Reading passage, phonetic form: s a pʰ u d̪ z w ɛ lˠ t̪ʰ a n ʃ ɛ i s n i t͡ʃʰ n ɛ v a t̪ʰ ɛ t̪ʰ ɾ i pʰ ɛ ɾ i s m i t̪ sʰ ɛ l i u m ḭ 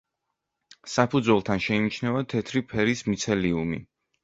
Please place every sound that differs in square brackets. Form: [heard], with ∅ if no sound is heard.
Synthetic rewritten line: s a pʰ u d̪ z w ɛ lˠ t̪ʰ a n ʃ ɛ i [∅] n i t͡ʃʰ n ɛ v a t̪ʰ ɛ t̪ʰ ɾ i pʰ ɛ ɾ i s m i t̪ sʰ ɛ l i u m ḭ